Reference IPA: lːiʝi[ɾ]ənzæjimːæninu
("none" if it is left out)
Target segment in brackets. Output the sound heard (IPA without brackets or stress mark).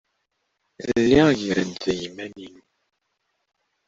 ɾ